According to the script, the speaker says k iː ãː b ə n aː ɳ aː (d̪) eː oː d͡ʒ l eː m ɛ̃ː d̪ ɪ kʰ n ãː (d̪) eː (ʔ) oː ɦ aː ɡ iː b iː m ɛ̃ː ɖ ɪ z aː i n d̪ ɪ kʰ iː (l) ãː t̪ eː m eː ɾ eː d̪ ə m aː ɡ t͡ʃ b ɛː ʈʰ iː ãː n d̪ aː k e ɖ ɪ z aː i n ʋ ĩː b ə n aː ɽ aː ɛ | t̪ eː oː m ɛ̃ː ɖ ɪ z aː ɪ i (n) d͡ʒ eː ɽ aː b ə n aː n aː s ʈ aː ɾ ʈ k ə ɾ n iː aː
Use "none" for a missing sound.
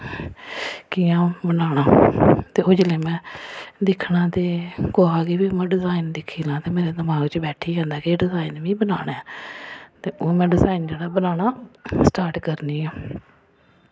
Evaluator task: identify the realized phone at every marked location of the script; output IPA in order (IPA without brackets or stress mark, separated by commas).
t̪, t̪, k, l, n